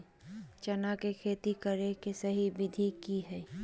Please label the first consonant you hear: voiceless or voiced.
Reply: voiceless